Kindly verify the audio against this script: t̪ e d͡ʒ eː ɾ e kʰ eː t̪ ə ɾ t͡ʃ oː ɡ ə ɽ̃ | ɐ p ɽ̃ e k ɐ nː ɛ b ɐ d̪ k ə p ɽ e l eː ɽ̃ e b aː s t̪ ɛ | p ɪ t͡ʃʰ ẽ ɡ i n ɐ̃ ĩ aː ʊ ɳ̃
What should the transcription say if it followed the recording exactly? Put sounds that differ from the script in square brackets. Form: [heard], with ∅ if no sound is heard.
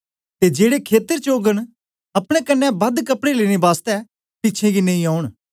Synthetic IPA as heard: t̪ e d͡ʒ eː [ɽ] e kʰ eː t̪ ə ɾ t͡ʃ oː ɡ ə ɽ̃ | ɐ p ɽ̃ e k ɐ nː ɛ b ɐ d̪ k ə p ɽ e l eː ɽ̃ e b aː s t̪ ɛ | p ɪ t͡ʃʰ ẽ ɡ i n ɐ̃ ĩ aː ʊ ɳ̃